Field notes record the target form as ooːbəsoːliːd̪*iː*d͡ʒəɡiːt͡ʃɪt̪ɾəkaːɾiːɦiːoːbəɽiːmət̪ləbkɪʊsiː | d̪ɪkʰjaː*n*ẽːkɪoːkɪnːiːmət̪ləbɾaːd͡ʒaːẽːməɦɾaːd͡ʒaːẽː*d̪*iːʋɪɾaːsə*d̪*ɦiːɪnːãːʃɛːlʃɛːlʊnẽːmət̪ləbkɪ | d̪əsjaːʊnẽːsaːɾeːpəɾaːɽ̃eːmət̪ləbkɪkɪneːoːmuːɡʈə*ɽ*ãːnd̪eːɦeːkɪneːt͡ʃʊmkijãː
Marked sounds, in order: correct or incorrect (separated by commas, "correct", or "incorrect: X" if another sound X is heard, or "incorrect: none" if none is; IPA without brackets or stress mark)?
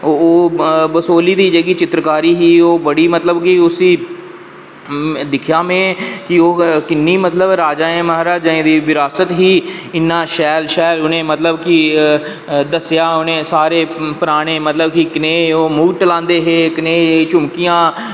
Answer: correct, incorrect: m, correct, incorrect: t̪, incorrect: l